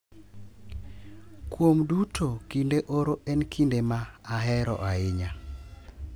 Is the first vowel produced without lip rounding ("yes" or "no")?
no